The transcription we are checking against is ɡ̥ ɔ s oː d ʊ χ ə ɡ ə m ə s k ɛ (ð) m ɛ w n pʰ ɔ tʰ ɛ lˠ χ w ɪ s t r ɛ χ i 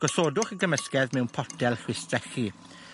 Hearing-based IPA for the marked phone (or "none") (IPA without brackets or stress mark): ð